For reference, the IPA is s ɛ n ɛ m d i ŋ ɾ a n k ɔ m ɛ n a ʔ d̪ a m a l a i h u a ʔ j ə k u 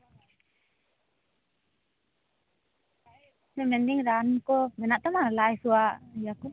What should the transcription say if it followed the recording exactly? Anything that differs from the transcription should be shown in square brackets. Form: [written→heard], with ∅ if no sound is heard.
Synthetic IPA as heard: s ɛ [n→m] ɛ [m→n] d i ŋ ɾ a n k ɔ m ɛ n a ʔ [d̪→t̪] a m a l a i [h→s] u a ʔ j [ə→a] k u

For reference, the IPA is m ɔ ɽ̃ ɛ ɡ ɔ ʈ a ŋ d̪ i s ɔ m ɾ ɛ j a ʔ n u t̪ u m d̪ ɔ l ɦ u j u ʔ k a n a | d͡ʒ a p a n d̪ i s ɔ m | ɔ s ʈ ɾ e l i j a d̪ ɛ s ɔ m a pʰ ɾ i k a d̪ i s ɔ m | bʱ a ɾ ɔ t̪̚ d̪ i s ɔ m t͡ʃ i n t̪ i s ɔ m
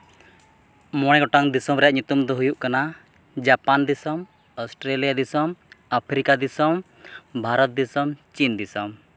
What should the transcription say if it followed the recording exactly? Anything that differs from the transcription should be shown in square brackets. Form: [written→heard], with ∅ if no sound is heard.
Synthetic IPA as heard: m ɔ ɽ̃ ɛ ɡ ɔ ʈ a ŋ d̪ i s ɔ m ɾ ɛ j a ʔ [n→ɲ] u t̪ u m d̪ ɔ [l→∅] ɦ u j u ʔ k a n a | d͡ʒ a p a n d̪ i s ɔ m | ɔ s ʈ ɾ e l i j a d̪ [ɛ→i] s ɔ m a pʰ ɾ i k a d̪ i s ɔ m | bʱ a ɾ ɔ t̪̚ d̪ i s ɔ m t͡ʃ i n [t̪→d̪] i s ɔ m

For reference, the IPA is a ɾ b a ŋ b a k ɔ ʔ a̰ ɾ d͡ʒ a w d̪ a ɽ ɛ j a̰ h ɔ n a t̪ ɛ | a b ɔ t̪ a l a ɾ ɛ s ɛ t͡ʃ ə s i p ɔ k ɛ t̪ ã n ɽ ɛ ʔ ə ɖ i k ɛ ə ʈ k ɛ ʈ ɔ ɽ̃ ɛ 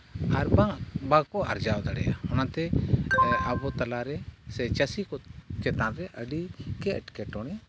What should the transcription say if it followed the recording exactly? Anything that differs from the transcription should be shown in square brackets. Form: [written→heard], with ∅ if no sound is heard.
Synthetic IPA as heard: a ɾ b a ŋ b a k ɔ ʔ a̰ ɾ d͡ʒ a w d̪ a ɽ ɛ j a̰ h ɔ n a t̪ ɛ | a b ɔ t̪ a l a ɾ ɛ s ɛ t͡ʃ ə s i [p→k] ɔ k ɛ t̪ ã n [ɽ→ɾ] ɛ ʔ ə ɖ i k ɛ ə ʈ k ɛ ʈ ɔ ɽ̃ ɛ

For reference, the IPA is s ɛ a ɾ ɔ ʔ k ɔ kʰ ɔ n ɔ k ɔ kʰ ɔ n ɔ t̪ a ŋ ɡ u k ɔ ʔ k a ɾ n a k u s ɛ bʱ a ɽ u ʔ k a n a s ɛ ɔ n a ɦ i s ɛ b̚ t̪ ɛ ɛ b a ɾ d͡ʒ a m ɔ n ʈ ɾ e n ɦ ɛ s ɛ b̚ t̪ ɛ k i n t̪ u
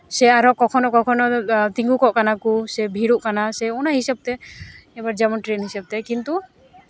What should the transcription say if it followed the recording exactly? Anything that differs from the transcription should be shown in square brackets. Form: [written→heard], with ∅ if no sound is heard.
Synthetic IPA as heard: s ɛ a ɾ ɔ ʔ k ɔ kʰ ɔ n ɔ k ɔ kʰ ɔ n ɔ t̪ [a→i] ŋ ɡ u k ɔ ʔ k a [ɾ→∅] n a k u s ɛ bʱ [a→i] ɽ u ʔ k a n a s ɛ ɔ n a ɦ i s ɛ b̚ t̪ ɛ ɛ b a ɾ d͡ʒ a m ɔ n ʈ ɾ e n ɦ [ɛ→i] s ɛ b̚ t̪ ɛ k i n t̪ u

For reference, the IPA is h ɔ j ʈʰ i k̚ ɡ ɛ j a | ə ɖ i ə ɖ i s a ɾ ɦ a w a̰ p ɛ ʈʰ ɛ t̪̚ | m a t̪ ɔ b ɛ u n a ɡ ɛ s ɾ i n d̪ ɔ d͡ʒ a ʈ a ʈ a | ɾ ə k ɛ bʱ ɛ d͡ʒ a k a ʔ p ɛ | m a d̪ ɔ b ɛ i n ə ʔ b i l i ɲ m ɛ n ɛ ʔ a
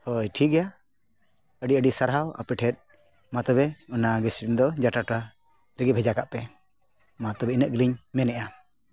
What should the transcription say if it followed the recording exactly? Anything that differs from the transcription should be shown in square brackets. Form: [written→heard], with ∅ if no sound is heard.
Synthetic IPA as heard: h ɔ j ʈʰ i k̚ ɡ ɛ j a | ə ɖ i ə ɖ i s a ɾ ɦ a w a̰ p ɛ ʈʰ ɛ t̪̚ | m a t̪ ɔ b ɛ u n a ɡ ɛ s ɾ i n d̪ ɔ d͡ʒ a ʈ a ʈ a | ɾ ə [k→ɡ] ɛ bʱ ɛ d͡ʒ a k a ʔ p ɛ | m a [d̪→t̪] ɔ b ɛ i n ə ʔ [b→ɡ] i l i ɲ m ɛ n ɛ ʔ a

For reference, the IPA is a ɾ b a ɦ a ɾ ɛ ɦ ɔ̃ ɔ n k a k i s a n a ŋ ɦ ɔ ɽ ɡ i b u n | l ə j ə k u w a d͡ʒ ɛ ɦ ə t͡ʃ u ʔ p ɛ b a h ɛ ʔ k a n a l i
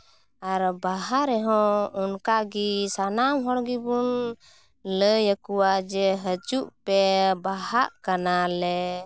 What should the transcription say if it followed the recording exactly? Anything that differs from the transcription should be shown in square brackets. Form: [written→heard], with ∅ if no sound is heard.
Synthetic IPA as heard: a ɾ b a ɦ a ɾ ɛ ɦ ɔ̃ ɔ n k a [k→ɡ] i s a n a [ŋ→m] ɦ ɔ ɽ ɡ i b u n | l ə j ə k u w a d͡ʒ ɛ ɦ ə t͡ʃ u ʔ p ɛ b a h [ɛ→a] ʔ k a n a l [i→ɛ]

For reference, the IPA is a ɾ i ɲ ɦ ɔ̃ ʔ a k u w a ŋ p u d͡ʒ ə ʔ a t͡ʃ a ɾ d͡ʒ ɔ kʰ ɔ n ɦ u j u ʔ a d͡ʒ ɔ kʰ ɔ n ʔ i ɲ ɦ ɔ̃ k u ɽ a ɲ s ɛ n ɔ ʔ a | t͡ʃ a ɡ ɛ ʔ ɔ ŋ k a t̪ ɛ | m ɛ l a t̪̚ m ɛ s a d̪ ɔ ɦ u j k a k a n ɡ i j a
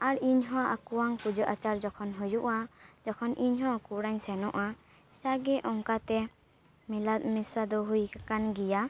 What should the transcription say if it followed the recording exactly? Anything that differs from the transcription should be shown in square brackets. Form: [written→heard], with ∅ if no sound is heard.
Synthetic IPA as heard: a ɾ i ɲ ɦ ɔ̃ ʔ a k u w a ŋ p u d͡ʒ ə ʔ a t͡ʃ a ɾ d͡ʒ ɔ kʰ ɔ n ɦ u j u ʔ a d͡ʒ ɔ kʰ ɔ n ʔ i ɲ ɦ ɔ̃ k u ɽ a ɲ s ɛ n ɔ ʔ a | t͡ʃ a ɡ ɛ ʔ ɔ ŋ k a t̪ ɛ | m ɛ l a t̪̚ m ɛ s a d̪ ɔ ɦ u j k a k a n ɡ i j a

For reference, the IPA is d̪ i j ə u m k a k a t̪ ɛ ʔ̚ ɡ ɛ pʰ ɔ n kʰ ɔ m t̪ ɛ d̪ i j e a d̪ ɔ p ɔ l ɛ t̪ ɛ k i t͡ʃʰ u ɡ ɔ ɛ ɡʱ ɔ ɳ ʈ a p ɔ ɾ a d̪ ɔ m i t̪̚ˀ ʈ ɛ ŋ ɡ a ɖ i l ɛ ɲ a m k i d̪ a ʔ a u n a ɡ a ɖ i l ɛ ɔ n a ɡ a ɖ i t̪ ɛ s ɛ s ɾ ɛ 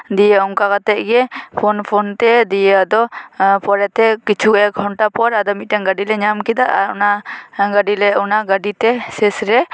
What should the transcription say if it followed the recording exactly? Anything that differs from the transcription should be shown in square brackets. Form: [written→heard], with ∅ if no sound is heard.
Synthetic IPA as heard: d̪ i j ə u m k a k a t̪ ɛ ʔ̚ ɡ ɛ pʰ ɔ n [kʰ→pʰ] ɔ [m→n] t̪ ɛ d̪ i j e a d̪ ɔ p ɔ [l→ɾ] ɛ t̪ ɛ k i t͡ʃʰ u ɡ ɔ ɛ ɡʱ ɔ ɳ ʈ a p ɔ ɾ a d̪ ɔ m i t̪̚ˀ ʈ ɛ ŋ ɡ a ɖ i l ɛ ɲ a m k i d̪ a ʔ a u n a ɡ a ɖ i l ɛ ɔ n a ɡ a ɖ i t̪ ɛ s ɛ s ɾ ɛ

